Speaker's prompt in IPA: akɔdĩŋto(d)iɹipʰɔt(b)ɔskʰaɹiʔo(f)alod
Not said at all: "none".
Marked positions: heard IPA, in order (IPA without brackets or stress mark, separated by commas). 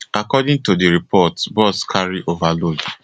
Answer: d, b, v